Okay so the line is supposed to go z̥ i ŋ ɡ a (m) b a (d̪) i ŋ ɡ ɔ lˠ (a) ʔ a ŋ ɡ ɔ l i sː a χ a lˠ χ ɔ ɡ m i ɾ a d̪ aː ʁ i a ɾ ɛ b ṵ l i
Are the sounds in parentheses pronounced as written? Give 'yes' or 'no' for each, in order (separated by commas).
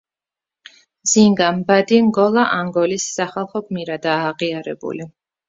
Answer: yes, yes, yes